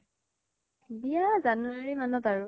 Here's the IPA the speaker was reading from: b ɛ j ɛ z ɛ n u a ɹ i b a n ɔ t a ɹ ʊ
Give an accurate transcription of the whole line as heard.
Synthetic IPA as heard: b i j a z a n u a ɹ i m a n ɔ t a ɹ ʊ